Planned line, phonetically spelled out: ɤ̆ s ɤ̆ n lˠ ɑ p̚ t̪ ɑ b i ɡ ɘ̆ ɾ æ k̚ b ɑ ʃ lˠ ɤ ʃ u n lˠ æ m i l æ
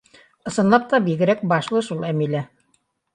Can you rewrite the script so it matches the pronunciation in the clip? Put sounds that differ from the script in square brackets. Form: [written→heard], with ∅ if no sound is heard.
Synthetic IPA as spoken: ɤ̆ s ɤ̆ n lˠ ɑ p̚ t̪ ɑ b i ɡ ɘ̆ ɾ æ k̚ b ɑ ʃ lˠ ɤ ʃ u [n→∅] lˠ æ m i l æ